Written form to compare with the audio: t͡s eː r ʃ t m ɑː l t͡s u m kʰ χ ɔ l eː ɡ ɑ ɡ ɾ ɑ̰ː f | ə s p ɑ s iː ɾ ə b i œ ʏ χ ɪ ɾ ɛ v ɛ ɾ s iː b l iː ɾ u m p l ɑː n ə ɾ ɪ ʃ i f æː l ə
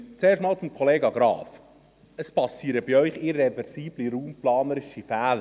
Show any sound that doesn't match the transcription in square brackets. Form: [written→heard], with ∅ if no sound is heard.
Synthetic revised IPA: t͡s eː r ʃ t m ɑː l t͡s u m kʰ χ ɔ l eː ɡ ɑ ɡ ɾ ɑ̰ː f | ə s p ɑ s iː ɾ ə b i œ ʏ χ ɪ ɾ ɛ v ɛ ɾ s iː b l [iː→i] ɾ [u→uː] m p l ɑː n ə ɾ ɪ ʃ i f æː l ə